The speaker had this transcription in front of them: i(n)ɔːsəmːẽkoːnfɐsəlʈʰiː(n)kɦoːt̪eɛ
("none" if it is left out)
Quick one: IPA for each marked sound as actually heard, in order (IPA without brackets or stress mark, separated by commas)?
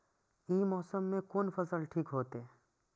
m, none